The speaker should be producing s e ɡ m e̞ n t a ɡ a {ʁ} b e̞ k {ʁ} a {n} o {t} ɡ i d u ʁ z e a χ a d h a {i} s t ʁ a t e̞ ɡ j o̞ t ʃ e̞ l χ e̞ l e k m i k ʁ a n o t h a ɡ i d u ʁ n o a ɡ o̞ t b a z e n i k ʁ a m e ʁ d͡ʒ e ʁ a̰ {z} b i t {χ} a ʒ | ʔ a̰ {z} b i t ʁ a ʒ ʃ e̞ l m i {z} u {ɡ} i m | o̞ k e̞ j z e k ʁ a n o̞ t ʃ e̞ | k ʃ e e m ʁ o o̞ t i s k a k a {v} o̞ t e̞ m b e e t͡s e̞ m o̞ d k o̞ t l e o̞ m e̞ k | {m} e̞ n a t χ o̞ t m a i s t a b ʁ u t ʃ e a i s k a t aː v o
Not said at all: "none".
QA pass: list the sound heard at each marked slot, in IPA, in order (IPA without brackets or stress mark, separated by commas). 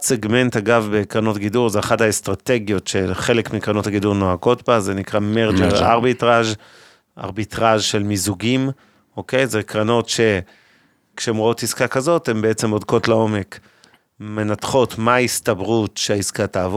v, ʁ, n, t, e, ʁ, ʁ, ʁ, z, ɡ, z, m